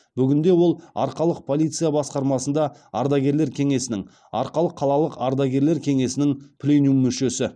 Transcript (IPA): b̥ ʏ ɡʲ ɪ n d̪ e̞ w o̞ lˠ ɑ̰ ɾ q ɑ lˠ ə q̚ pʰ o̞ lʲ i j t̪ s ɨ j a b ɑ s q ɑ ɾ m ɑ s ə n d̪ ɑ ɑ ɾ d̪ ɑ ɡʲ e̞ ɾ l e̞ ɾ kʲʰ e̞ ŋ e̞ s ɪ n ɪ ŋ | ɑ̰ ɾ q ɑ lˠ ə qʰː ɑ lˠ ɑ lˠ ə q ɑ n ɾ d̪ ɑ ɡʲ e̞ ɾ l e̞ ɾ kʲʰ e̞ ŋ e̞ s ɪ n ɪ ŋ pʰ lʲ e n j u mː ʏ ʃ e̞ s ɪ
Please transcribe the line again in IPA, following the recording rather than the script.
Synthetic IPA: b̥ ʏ ɡʲ ɪ n d̪ e̞ w o̞ lˠ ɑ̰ ɾ q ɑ lˠ ə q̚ pʰ o̞ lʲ i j t̪ s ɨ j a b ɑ s q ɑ ɾ m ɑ s ə n d̪ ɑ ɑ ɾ d̪ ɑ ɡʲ e̞ ɾ l e̞ ɾ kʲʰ e̞ ŋ e̞ s ɪ n ɪ ŋ | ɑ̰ ɾ q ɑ lˠ ə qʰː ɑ lˠ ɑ lˠ ə q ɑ ɾ d̪ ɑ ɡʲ e̞ ɾ l e̞ ɾ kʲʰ e̞ ŋ e̞ s ɪ n ɪ ŋ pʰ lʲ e n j u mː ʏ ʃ e̞ s ɪ